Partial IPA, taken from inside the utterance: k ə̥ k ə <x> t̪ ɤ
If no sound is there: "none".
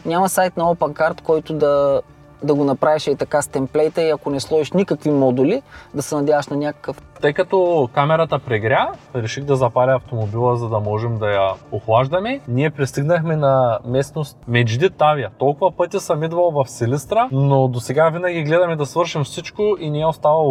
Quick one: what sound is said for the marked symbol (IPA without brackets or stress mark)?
f